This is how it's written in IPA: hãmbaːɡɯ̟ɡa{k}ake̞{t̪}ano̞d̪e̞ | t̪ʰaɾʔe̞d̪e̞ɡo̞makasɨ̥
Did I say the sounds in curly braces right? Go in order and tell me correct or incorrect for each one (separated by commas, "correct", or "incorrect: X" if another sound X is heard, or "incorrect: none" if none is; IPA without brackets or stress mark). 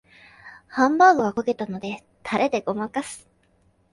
correct, correct